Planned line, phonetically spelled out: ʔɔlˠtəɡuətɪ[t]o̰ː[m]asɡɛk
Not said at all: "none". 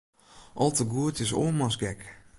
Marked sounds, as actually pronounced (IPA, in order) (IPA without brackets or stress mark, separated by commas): s, m